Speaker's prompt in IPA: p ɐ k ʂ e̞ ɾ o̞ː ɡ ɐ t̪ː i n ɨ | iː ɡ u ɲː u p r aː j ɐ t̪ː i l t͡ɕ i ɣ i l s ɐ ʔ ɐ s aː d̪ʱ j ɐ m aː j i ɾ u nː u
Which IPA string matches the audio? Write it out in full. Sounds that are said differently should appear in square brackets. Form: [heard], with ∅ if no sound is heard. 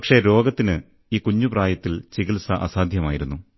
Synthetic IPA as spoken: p ɐ k ʂ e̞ ɾ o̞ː ɡ ɐ t̪ː i n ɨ | iː [k] u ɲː u p r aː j ɐ t̪ː i l t͡ɕ i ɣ i l s ɐ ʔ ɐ s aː d̪ʱ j ɐ m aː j i ɾ u nː u